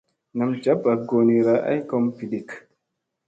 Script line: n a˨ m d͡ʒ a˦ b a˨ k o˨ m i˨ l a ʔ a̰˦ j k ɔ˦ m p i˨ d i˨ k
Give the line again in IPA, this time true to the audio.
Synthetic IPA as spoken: n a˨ m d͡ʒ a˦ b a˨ ɡ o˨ n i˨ ɾ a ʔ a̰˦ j k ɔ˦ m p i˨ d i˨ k